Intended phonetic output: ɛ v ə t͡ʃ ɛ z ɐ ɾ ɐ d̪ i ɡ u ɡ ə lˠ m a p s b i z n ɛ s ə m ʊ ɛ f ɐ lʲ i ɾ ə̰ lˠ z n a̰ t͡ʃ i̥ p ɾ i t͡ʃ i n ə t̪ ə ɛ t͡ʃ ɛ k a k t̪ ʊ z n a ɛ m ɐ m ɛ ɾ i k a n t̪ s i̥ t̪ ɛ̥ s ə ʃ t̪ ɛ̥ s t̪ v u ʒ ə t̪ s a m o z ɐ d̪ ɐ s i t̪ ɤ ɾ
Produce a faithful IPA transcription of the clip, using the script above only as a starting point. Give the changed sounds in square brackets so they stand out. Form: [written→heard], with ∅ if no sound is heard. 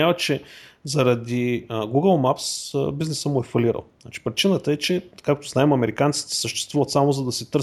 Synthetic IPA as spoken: [ɛ→a] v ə t͡ʃ ɛ z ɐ ɾ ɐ d̪ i ɡ u ɡ ə lˠ m a p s b i z n ɛ s ə m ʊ ɛ f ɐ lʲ i ɾ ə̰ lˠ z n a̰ t͡ʃ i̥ p ɾ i t͡ʃ i n ə t̪ ə ɛ t͡ʃ ɛ k a k t̪ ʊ z n a ɛ m ɐ m ɛ ɾ i k a n t̪ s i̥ t̪ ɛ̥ s ə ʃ t̪ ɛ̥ s t̪ v u [ʒ→v] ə t̪ s a m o z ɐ d̪ ɐ s i t̪ ɤ ɾ